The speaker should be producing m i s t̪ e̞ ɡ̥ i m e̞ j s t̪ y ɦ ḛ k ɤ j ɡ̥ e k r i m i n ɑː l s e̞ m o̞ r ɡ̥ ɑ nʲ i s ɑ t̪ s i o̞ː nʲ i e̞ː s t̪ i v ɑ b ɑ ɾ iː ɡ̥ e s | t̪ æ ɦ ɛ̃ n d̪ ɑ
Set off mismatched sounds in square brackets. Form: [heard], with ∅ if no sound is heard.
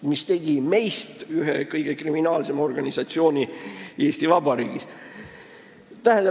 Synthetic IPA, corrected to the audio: m i s t̪ e̞ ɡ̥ i m e̞ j s t̪ y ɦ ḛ k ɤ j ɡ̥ e k r i m i n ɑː l s e̞ m o̞ r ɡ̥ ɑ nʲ i s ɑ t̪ s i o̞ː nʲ i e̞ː s t̪ i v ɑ b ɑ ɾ iː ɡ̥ [i] s | t̪ æ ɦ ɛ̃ n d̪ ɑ